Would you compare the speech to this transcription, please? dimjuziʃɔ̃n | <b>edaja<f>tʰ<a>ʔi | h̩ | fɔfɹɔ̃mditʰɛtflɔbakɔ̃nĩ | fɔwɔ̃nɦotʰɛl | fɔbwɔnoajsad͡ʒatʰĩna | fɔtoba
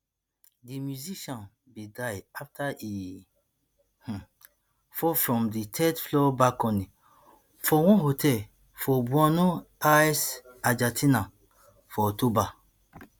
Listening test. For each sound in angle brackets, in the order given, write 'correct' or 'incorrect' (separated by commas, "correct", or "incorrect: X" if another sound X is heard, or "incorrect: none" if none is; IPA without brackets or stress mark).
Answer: correct, correct, correct